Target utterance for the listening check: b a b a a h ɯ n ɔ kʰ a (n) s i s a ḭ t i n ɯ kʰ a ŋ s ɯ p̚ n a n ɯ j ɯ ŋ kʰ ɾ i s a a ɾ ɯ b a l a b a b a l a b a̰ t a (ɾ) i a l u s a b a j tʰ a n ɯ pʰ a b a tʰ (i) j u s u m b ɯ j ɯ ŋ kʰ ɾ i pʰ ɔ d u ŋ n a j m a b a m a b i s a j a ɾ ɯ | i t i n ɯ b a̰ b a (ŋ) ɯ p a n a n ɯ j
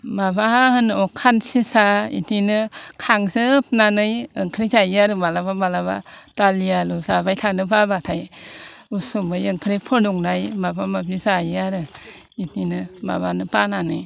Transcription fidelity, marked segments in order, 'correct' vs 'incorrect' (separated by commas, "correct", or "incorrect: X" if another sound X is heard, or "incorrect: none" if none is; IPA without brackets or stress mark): correct, incorrect: l, incorrect: a, incorrect: n